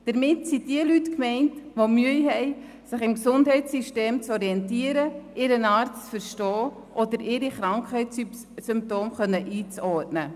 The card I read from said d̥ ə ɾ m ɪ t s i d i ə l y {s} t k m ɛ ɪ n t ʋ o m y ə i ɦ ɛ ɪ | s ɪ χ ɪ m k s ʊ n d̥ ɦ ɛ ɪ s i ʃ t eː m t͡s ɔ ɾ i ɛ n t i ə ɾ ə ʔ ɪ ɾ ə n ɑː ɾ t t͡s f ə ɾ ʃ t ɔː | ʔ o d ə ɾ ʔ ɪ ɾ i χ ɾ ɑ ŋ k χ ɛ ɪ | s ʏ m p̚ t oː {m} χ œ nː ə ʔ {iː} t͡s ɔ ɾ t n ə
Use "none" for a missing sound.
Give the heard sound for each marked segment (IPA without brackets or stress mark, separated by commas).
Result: none, m, iː